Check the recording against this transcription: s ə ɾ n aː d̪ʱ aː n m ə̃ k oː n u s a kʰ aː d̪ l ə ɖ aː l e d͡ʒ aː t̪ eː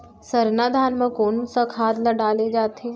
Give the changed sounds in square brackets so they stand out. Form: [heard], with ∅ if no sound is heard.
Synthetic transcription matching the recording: s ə ɾ n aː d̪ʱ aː n m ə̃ k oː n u s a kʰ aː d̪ l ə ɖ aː l e d͡ʒ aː t̪ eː